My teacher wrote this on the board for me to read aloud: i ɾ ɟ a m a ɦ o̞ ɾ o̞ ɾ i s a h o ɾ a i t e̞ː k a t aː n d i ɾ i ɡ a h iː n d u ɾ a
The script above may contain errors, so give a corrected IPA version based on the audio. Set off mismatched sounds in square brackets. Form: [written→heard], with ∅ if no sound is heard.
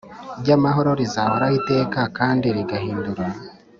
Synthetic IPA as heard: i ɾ ɟ a m a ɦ o̞ ɾ o̞ ɾ i [s→z] a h o ɾ a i t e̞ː k a [t→k] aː n d i ɾ i ɡ a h iː n d u ɾ a